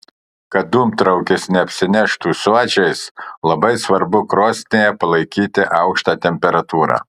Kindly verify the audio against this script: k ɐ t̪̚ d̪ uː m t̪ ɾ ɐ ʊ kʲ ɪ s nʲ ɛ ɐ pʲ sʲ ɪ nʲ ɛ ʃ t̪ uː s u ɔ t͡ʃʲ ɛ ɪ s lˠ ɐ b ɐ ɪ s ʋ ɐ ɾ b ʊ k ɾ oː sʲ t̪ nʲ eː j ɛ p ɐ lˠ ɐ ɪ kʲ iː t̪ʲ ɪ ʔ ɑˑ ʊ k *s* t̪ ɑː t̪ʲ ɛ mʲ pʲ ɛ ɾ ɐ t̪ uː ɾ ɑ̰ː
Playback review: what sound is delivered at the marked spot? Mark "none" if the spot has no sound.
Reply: ʃ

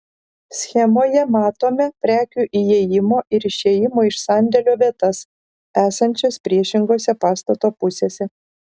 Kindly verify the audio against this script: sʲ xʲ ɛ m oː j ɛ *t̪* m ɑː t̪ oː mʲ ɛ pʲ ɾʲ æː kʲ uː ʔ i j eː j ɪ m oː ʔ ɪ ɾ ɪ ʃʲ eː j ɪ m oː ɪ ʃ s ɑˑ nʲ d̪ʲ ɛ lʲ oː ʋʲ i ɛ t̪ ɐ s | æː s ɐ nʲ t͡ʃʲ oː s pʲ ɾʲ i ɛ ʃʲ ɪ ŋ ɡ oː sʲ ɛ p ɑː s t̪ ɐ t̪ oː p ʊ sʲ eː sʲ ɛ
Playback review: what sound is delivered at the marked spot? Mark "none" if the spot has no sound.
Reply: none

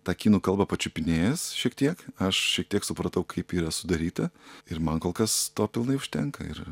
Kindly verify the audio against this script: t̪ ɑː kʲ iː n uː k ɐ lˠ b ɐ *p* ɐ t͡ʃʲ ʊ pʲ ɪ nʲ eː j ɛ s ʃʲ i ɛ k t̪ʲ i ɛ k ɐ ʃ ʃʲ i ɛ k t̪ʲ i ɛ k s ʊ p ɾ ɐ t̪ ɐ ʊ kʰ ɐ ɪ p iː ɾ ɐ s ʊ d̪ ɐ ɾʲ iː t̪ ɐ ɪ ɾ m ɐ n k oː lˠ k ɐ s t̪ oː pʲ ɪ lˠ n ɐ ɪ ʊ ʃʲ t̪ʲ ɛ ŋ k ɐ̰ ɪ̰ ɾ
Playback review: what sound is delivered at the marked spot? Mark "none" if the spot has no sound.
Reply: p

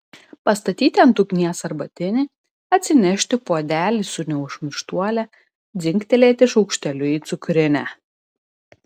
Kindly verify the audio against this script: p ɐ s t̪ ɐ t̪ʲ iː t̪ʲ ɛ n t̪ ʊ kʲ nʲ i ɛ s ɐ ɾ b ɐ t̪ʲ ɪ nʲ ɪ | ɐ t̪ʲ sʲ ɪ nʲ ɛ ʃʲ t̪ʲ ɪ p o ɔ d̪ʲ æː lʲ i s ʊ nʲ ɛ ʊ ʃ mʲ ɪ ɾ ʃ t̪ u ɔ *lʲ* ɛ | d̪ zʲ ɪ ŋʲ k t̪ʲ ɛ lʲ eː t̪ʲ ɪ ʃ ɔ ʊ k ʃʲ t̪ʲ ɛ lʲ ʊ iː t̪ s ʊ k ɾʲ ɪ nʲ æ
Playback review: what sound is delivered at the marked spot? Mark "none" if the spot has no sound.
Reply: lʲ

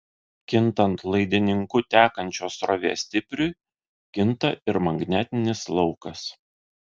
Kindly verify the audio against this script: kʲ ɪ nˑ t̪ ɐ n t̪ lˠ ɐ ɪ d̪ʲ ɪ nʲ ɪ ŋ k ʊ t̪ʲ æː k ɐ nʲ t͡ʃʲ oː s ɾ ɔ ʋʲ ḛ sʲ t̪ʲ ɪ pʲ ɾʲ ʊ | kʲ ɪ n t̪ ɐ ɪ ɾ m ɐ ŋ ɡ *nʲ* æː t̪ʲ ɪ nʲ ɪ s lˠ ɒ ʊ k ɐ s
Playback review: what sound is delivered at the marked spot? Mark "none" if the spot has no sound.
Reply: nʲ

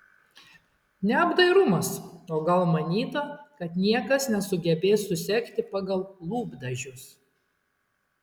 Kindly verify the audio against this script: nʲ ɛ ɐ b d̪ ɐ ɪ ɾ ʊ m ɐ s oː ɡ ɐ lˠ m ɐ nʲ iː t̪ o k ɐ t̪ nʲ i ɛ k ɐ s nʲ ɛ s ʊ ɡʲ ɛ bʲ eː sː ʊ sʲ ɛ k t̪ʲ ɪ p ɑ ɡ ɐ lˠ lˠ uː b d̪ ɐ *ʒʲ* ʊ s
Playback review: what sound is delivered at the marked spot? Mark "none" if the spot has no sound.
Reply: ʒʲ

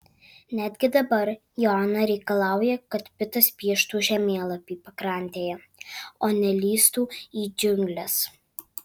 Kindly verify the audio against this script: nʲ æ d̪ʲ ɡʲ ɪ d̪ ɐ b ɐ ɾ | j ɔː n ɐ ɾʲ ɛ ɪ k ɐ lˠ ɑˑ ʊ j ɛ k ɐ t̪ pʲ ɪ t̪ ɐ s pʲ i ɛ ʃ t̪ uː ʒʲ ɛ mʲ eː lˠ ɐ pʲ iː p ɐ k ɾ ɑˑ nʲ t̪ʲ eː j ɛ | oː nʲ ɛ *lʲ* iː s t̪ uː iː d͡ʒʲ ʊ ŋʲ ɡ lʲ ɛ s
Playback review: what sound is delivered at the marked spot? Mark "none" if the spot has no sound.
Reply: lʲ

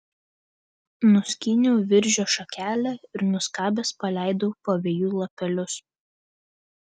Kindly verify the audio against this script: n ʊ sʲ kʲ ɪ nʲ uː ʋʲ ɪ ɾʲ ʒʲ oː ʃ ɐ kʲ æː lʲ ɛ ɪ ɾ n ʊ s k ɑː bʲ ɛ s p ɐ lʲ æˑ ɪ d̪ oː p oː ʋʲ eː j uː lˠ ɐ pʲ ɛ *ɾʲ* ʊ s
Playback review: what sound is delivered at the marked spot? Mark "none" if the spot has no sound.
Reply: lʲ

